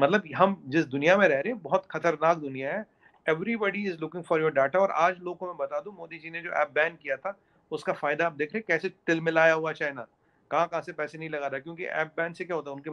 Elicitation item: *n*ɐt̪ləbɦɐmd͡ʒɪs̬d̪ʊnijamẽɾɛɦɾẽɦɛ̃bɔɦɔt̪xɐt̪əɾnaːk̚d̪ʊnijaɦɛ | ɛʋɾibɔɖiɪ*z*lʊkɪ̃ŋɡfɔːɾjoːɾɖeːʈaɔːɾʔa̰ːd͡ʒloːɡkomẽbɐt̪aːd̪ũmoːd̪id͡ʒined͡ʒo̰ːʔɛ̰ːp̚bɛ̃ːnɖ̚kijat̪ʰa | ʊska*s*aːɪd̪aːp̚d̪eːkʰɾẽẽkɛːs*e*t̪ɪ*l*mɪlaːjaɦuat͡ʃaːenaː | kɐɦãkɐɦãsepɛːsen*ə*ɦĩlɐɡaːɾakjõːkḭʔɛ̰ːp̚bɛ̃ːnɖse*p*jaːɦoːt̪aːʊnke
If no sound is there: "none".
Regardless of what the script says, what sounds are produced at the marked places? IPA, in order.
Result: m, z, f, e, l, ɐ, k

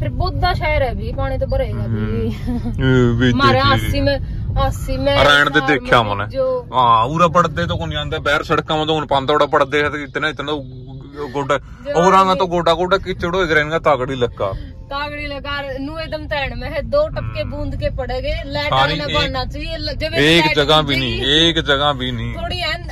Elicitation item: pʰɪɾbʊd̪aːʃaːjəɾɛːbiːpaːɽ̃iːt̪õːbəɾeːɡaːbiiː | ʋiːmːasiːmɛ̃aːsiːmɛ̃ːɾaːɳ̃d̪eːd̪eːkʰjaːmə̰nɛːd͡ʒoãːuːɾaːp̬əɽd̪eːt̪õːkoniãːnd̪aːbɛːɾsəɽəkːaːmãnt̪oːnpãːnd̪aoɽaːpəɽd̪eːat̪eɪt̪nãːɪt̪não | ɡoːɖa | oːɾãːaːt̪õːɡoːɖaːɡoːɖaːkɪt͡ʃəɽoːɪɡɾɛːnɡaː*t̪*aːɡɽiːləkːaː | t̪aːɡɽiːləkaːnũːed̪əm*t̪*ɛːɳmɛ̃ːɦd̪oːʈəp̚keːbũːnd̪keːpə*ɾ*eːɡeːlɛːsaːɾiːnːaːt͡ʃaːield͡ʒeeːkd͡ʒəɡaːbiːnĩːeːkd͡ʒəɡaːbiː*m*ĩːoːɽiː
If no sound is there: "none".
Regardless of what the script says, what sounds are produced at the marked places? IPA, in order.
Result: t̪, t̪, ɽ, n

